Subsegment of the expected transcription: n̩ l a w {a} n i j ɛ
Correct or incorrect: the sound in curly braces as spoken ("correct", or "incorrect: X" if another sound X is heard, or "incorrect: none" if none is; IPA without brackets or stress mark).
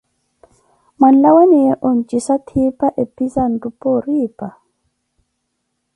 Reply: correct